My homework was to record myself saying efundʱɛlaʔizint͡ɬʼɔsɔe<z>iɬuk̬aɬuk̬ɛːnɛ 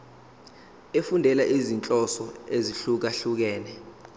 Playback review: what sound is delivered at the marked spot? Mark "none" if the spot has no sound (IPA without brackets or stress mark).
z